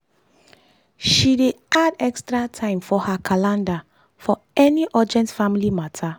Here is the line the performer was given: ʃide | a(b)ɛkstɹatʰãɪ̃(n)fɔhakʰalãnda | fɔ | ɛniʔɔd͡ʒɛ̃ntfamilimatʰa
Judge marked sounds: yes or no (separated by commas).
no, no